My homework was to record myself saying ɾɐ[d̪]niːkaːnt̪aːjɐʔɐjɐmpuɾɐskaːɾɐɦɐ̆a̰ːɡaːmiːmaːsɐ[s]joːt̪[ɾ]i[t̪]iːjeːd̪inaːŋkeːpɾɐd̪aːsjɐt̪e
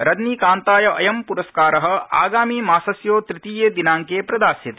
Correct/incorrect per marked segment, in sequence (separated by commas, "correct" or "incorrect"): correct, correct, correct, correct